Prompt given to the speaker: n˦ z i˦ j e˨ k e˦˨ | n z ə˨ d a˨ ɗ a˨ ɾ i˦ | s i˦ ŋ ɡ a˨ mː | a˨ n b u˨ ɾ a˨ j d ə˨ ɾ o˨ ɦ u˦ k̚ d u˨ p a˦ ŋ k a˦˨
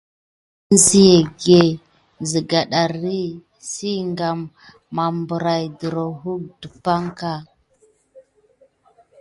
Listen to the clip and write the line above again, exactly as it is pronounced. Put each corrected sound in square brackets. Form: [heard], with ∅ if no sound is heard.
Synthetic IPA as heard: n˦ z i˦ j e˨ [ɡ] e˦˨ | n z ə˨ [ɡ] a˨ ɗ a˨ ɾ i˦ | s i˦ ŋ ɡ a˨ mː | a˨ [m] b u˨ ɾ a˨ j d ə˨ ɾ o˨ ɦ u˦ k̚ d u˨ p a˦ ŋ k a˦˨